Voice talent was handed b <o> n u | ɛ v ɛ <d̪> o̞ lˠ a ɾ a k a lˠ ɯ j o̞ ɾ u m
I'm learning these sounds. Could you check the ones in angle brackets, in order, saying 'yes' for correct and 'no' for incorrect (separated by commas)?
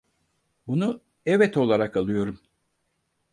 no, no